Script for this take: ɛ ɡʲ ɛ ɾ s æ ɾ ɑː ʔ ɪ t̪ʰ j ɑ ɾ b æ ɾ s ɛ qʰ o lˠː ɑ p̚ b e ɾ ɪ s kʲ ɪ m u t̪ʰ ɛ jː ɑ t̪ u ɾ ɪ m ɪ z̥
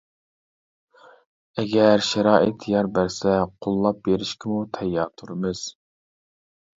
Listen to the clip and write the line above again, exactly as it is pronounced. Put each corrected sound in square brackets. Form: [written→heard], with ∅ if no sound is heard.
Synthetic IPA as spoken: ɛ ɡʲ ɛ ɾ [s→ʃ] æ ɾ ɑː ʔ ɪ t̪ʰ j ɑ ɾ b æ ɾ s ɛ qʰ o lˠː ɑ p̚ b e ɾ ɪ [s→ʃ] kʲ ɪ m u t̪ʰ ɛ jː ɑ [t̪→t̪ʰ] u ɾ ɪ m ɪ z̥

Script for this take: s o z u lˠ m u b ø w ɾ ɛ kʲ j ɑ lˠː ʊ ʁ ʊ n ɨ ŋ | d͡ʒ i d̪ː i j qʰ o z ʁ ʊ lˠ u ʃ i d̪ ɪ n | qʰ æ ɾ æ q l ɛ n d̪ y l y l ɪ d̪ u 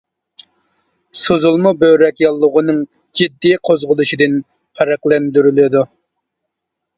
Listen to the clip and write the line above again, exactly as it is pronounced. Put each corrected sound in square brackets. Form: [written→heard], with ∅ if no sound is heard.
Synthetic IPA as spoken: s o z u lˠ m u b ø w ɾ ɛ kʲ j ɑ lˠː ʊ ʁ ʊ n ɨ ŋ | d͡ʒ i d̪ː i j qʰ o z ʁ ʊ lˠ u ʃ i d̪ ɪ n | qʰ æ ɾ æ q l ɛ n d̪ y [l→ɾ] y l ɪ d̪ u

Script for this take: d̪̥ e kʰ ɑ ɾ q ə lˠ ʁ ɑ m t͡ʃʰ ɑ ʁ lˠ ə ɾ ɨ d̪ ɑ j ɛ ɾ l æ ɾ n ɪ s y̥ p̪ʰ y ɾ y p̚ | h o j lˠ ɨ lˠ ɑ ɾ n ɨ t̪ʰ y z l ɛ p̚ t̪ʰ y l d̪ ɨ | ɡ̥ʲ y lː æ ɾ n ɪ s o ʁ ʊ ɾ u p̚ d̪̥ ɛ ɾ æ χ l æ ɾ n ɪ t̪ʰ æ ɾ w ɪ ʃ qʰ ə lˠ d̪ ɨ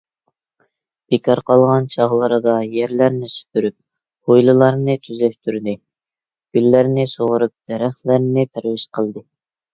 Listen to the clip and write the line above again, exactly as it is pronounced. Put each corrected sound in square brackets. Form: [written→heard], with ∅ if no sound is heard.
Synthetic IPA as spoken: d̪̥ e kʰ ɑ ɾ q [ə→ɑ] lˠ ʁ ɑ [m→n] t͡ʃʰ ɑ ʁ lˠ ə ɾ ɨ d̪ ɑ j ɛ ɾ l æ ɾ n ɪ s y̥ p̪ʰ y ɾ y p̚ | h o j lˠ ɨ lˠ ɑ ɾ n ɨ t̪ʰ y z l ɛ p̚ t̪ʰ y [l→ɾ] d̪ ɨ | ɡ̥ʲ y lː æ ɾ n ɪ s o ʁ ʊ ɾ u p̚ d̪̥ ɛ ɾ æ χ l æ ɾ n ɪ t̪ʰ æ ɾ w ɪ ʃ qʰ ə lˠ d̪ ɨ

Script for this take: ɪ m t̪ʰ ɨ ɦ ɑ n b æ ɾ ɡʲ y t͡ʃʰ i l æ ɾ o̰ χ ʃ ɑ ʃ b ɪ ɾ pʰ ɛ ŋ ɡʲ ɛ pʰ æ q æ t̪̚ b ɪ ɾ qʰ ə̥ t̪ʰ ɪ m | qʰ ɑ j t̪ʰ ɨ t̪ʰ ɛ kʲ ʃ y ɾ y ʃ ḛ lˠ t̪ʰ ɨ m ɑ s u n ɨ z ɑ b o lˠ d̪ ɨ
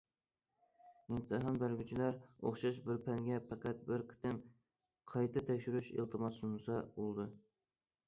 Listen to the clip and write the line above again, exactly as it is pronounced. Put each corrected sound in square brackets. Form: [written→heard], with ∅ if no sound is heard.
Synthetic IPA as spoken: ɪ m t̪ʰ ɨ ɦ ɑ n b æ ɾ ɡʲ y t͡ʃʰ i l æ ɾ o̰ χ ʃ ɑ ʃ b ɪ ɾ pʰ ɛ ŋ ɡʲ ɛ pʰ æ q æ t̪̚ b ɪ ɾ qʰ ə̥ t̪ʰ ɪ m | qʰ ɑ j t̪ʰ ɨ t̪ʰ ɛ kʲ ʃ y ɾ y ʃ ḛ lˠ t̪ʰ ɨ m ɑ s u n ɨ [z→s] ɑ b o lˠ d̪ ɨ

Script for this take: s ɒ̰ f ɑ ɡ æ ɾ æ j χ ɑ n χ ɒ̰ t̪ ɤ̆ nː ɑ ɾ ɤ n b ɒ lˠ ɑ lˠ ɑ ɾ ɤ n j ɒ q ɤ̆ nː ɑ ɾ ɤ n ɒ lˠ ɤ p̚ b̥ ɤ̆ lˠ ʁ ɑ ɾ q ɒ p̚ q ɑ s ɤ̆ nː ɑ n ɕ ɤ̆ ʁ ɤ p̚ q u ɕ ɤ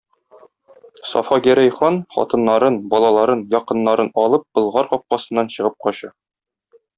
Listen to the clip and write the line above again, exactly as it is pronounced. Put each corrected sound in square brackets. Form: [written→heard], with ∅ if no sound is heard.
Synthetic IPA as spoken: s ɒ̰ f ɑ ɡ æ ɾ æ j χ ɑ n χ ɒ̰ t̪ ɤ̆ nː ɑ ɾ ɤ n b ɒ lˠ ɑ lˠ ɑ ɾ ɤ n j ɒ q ɤ̆ nː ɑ ɾ ɤ n ɒ lˠ ɤ p̚ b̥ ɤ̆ lˠ ʁ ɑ ɾ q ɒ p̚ q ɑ s ɤ̆ nː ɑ n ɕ ɤ̆ ʁ ɤ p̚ q [u→ɒ] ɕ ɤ

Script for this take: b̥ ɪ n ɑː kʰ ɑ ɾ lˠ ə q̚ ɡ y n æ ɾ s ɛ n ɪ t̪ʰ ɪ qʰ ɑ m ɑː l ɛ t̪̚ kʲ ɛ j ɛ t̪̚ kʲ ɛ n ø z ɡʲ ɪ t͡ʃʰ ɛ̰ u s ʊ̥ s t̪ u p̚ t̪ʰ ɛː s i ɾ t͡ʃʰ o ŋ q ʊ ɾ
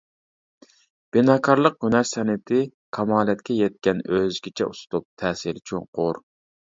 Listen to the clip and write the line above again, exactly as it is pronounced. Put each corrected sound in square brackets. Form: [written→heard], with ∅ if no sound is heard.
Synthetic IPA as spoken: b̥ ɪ n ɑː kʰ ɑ ɾ lˠ ə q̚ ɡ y n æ ɾ s ɛ n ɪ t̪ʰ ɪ [qʰ→kʰ] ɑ m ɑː l ɛ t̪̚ kʲ ɛ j ɛ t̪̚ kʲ ɛ n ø z ɡʲ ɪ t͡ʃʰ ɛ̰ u s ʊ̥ [s→∅] t̪ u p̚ t̪ʰ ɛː s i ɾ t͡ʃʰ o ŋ q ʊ ɾ

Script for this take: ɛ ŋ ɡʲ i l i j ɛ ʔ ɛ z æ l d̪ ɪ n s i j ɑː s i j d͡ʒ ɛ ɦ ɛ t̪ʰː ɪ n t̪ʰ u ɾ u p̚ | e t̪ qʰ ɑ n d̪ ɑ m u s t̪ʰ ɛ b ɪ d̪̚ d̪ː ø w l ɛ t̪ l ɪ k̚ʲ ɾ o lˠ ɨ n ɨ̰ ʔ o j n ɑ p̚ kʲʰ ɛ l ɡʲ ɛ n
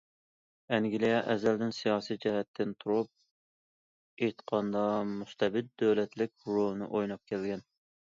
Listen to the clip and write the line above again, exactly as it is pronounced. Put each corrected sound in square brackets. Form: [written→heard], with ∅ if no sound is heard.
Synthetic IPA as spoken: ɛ ŋ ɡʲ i l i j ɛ ʔ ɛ z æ l d̪ ɪ n s i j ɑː s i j d͡ʒ ɛ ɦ ɛ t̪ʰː ɪ n t̪ʰ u ɾ u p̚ | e t̪ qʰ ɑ n d̪ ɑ m u s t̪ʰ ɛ b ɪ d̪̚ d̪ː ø w l ɛ t̪ l ɪ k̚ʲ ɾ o lˠ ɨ n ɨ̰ ʔ o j n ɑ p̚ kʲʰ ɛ l ɡʲ ɛ n

